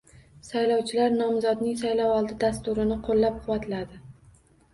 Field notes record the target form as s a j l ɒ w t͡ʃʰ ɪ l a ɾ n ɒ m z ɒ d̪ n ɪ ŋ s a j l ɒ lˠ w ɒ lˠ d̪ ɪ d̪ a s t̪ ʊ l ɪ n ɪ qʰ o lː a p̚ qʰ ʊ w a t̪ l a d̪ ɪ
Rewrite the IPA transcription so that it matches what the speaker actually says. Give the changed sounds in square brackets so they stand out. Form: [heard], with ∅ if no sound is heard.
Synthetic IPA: s a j l ɒ w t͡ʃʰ ɪ l a ɾ n ɒ m z ɒ d̪ n ɪ ŋ s a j l ɒ [∅] w ɒ lˠ d̪ ɪ d̪ a s t̪ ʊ [ɾ] ɪ n ɪ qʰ o lː a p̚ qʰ ʊ w a t̪ l a d̪ ɪ

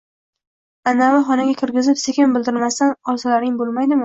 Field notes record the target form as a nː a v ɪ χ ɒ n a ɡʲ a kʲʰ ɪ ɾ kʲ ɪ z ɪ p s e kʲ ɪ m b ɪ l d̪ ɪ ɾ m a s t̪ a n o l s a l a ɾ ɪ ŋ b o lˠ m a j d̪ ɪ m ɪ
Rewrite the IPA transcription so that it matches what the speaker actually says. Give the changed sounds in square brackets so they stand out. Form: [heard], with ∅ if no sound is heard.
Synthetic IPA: a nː a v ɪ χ ɒ n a ɡʲ a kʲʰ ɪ ɾ [ɡʲ] ɪ z ɪ p s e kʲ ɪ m b ɪ l d̪ ɪ ɾ m a s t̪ a n [ɒ] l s a l a ɾ ɪ ŋ b o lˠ m a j d̪ ɪ m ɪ

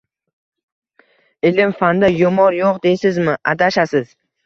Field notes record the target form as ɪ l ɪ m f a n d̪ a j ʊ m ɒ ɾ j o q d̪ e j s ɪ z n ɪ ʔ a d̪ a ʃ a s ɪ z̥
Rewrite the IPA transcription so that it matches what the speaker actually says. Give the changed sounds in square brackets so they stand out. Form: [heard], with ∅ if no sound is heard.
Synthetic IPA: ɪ l ɪ m f a n d̪ a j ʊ m ɒ ɾ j o q d̪ e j s ɪ z [m] ɪ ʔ a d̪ a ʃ a s ɪ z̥

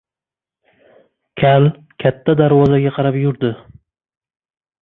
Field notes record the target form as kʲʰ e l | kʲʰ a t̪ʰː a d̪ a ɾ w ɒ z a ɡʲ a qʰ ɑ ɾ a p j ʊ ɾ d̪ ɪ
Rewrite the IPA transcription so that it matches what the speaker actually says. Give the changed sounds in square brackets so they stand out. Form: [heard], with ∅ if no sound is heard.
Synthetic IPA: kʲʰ [a] l | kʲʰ a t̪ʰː a d̪ a ɾ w ɒ z a ɡʲ a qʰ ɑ ɾ a p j ʊ ɾ d̪ ɪ

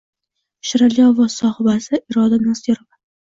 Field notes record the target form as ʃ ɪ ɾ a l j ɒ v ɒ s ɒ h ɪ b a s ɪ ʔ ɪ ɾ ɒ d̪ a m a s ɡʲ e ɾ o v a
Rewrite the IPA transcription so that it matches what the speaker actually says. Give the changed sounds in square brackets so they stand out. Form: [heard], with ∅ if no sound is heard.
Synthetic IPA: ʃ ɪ ɾ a l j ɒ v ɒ s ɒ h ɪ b a s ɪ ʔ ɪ ɾ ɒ d̪ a [n] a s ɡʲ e ɾ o v a

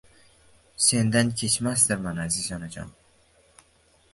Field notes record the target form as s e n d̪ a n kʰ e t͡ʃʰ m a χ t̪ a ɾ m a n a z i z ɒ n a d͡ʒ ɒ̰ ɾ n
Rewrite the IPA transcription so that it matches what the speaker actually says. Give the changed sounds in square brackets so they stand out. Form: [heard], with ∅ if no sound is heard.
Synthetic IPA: s e n d̪ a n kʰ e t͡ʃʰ m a [s] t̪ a ɾ m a n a z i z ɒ n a d͡ʒ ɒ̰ [∅] n

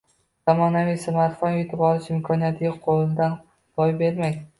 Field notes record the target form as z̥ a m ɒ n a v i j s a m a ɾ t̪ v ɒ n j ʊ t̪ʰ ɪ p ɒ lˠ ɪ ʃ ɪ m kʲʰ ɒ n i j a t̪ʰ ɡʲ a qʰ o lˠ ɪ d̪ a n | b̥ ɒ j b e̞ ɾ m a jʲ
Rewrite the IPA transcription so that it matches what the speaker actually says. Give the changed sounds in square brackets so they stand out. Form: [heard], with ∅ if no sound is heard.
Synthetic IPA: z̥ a m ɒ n a v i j s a m a ɾ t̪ [f] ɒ n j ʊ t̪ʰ ɪ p ɒ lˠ ɪ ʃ ɪ m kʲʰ ɒ n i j a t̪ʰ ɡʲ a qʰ o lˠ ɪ d̪ a n | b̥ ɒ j b e̞ ɾ m a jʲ

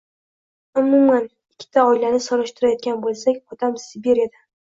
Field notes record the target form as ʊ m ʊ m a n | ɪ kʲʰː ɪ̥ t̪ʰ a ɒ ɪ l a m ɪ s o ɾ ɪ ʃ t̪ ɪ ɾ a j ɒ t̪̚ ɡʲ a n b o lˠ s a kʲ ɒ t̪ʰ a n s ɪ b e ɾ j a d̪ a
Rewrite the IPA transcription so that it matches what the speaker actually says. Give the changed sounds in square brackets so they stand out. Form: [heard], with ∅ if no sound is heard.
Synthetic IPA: ʊ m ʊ m a n | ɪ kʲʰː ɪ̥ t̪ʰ a ɒ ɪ l a [n] ɪ s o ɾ ɪ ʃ t̪ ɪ ɾ a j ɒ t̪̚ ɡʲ a n b o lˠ s a kʲ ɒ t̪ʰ a [m] s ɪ b e ɾ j a d̪ a

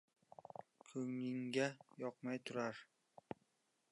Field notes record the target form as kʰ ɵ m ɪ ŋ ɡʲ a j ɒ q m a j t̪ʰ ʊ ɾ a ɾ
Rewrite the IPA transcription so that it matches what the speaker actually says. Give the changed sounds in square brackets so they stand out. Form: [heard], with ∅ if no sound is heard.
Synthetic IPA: kʰ ɵ [ŋ] ɪ ŋ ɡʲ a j ɒ q m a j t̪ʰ ʊ ɾ a ɾ

